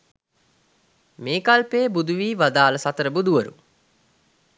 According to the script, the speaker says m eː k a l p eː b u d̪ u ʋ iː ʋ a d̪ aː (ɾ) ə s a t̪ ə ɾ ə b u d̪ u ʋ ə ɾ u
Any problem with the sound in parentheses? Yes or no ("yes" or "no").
yes